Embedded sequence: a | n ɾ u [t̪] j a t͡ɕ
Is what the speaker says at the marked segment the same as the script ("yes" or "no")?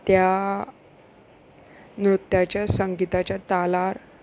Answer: yes